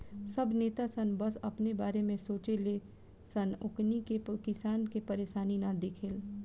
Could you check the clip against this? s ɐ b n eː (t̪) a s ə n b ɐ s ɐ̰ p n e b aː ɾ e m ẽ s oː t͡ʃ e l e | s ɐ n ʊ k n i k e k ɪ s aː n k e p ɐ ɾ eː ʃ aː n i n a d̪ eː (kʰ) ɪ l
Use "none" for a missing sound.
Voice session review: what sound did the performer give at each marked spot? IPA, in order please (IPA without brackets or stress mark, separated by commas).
t̪, kʰ